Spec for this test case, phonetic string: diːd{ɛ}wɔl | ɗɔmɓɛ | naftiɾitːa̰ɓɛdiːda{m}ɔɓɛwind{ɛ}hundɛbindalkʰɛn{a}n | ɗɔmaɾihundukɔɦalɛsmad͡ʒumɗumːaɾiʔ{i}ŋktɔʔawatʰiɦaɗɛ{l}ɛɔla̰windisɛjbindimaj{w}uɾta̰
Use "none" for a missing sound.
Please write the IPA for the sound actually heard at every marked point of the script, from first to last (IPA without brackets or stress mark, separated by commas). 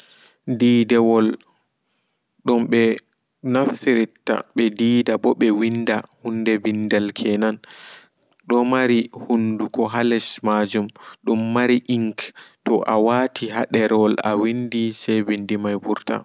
ɛ, b, a, a, i, ɾ, b